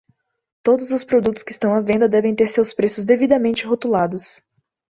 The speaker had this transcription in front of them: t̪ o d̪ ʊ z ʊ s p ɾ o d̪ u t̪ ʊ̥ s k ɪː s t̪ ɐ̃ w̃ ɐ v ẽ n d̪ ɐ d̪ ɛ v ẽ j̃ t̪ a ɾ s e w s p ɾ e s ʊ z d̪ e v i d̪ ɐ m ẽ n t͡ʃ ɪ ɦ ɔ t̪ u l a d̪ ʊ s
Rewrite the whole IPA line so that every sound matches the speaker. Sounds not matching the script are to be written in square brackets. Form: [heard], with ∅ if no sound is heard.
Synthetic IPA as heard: t̪ o d̪ ʊ z ʊ s p ɾ o d̪ u t̪ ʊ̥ s k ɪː s t̪ ɐ̃ w̃ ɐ v ẽ n d̪ ɐ d̪ ɛ v ẽ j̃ t̪ [e] ɾ s e w s p ɾ e s ʊ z d̪ e v i d̪ ɐ m ẽ n t͡ʃ ɪ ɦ [o] t̪ u l a d̪ ʊ s